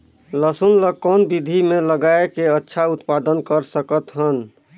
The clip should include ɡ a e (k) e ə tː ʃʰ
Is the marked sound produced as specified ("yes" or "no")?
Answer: yes